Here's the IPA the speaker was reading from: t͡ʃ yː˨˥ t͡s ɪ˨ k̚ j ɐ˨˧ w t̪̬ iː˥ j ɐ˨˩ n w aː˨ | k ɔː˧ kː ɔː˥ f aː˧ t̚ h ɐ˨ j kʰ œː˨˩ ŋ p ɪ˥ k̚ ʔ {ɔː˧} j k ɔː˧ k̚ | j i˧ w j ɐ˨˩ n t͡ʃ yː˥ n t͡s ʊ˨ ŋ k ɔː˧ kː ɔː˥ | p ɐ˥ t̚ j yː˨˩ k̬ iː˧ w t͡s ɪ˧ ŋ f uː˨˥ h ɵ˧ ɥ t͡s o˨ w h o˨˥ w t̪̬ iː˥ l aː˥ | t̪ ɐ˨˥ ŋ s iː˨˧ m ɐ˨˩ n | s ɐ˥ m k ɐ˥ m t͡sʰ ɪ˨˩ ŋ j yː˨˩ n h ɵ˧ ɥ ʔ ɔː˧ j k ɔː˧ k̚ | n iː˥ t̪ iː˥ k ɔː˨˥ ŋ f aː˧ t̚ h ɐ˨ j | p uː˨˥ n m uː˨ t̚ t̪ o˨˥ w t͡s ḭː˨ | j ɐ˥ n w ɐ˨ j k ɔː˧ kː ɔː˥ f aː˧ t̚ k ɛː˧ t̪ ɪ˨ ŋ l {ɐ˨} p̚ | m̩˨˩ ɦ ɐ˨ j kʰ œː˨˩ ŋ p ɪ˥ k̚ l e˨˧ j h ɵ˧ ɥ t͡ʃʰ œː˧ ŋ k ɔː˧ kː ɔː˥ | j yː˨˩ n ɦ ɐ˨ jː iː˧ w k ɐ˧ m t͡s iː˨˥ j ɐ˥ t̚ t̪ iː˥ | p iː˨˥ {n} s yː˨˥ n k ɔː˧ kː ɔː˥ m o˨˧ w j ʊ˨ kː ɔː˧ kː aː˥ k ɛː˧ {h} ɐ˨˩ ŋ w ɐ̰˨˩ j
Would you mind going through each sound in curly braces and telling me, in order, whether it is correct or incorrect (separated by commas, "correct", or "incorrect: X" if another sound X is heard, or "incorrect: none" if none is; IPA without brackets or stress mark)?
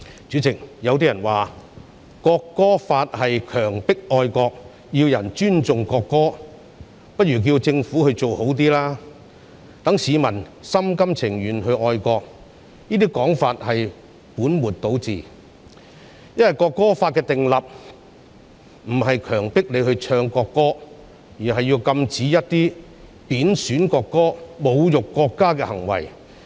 correct, correct, correct, correct